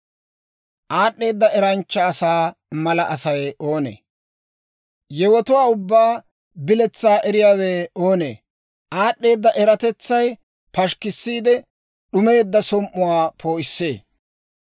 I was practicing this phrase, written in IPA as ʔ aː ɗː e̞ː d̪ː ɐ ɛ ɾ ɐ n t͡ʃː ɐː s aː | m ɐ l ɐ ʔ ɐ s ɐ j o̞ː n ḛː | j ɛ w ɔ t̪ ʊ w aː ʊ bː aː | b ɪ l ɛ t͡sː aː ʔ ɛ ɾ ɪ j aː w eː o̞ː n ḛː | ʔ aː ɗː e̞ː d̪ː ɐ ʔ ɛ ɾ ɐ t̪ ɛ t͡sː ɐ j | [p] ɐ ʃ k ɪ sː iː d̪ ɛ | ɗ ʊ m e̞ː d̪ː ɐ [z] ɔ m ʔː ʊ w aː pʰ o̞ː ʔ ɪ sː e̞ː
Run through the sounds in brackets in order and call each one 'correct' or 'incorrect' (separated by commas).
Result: correct, incorrect